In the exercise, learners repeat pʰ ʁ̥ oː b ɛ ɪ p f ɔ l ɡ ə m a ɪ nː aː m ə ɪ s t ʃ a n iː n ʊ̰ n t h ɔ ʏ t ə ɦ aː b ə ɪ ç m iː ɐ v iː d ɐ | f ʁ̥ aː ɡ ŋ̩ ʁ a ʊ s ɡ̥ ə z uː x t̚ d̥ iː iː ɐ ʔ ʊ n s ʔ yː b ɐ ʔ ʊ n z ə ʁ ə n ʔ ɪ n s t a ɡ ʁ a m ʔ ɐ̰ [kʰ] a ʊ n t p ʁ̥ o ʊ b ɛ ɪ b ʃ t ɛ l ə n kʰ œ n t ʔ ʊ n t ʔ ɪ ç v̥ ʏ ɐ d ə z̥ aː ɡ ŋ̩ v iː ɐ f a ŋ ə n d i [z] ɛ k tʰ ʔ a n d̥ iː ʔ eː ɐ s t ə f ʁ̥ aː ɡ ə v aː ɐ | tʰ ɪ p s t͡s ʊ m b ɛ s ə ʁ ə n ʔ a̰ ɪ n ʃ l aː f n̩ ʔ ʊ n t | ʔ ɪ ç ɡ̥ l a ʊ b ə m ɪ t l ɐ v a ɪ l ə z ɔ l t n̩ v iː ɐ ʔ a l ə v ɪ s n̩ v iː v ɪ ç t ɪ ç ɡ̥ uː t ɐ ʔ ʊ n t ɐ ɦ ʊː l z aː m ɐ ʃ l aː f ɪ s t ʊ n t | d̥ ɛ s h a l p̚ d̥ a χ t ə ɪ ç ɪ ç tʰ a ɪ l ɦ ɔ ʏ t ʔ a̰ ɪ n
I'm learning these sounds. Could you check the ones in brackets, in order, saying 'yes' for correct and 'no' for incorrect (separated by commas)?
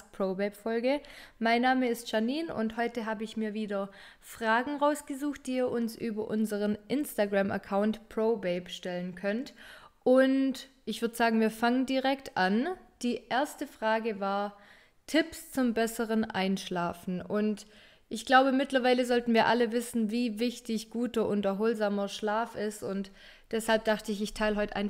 yes, no